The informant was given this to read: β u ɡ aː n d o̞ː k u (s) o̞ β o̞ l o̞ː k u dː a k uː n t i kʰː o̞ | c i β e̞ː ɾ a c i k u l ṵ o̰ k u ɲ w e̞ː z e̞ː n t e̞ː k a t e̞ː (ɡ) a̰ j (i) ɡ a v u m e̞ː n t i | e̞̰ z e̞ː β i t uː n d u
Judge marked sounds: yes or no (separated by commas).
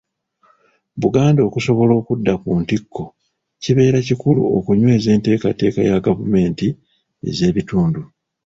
yes, no, no